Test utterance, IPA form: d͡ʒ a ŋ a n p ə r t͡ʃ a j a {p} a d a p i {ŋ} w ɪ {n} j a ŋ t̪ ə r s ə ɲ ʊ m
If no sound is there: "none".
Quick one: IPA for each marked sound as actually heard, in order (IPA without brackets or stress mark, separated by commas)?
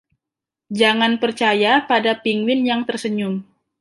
p, ŋ, n